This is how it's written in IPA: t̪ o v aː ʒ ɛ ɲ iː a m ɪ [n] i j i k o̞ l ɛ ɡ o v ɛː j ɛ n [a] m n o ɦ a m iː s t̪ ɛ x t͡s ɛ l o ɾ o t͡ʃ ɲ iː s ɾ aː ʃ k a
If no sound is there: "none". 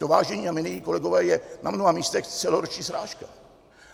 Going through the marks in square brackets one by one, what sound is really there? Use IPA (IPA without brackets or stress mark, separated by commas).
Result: n, a